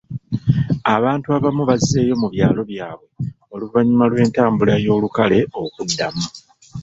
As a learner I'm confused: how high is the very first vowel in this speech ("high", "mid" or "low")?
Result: low